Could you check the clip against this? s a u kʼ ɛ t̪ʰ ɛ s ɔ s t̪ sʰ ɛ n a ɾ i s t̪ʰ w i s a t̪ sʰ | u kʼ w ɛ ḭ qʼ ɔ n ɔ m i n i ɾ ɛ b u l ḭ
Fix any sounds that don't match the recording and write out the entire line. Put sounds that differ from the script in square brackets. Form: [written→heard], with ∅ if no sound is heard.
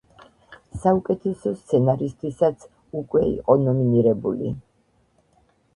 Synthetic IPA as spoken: s a u kʼ ɛ t̪ʰ ɛ s ɔ s t̪ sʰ ɛ n a ɾ i s t̪ʰ w i s a t̪ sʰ | u kʼ w ɛ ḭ qʼ ɔ n ɔ m i n i ɾ ɛ b u l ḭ